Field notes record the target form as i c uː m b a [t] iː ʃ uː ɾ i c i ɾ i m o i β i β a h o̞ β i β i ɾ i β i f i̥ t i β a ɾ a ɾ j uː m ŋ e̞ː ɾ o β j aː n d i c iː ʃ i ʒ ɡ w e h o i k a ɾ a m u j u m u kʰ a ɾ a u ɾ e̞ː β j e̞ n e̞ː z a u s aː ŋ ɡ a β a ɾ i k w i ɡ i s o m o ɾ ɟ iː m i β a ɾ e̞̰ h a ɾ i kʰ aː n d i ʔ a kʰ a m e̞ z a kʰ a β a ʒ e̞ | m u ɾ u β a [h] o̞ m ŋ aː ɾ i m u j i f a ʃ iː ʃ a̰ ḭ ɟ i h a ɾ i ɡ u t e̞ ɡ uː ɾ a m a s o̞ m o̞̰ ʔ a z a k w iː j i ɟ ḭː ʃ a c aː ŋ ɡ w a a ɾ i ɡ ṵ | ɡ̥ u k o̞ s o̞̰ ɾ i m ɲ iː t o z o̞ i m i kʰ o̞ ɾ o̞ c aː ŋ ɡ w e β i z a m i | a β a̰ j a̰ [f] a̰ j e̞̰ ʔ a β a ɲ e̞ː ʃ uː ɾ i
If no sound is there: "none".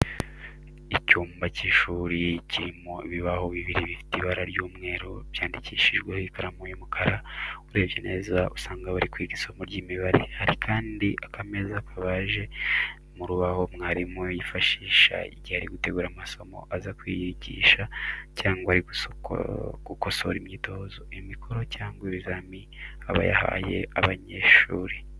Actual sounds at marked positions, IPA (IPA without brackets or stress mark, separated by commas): c, h, h